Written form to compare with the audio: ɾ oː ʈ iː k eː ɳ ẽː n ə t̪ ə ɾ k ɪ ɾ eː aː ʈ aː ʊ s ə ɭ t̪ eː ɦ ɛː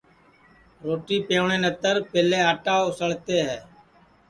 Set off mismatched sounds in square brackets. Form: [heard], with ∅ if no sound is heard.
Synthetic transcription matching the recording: ɾ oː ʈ iː [p] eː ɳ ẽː n ə t̪ ə ɾ [p] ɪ [l] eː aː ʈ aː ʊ s ə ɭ t̪ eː ɦ ɛː